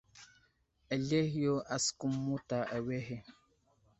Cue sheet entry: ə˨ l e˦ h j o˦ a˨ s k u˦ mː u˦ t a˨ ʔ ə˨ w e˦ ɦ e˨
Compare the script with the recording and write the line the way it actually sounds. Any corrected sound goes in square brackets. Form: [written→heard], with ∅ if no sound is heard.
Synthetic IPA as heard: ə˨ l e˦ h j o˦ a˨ s k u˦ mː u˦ t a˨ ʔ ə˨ w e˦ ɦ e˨